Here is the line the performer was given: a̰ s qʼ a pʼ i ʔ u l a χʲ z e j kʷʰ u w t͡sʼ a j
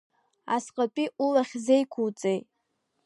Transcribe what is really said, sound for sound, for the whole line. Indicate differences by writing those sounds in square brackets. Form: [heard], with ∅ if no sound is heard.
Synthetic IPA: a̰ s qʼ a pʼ i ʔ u l a χʲ z e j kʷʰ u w t͡sʼ [e] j